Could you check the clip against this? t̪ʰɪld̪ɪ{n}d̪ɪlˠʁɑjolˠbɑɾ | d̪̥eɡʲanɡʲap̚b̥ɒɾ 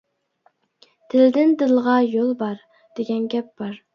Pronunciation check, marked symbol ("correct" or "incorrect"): correct